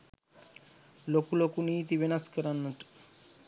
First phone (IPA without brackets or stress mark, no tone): l